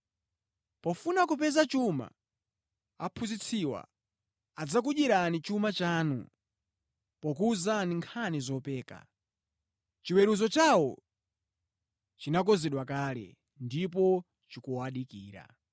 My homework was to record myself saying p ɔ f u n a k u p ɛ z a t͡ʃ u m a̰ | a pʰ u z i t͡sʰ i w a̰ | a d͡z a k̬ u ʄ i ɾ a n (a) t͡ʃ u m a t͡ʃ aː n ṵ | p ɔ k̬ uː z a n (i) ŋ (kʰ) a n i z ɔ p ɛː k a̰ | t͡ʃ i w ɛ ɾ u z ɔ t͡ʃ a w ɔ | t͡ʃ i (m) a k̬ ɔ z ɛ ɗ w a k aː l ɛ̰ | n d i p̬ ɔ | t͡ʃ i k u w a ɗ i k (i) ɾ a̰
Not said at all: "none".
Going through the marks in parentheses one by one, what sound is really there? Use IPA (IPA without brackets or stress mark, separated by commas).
i, i, kʰ, n, iː